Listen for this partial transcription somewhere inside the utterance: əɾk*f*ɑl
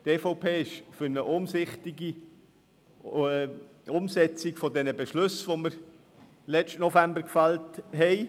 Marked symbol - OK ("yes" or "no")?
yes